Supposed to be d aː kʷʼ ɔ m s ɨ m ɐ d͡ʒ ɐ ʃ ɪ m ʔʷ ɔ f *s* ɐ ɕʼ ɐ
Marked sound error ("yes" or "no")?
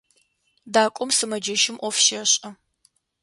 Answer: yes